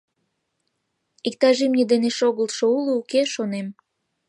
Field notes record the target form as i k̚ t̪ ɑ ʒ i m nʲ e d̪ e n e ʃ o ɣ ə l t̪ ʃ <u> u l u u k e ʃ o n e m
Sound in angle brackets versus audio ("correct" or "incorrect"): incorrect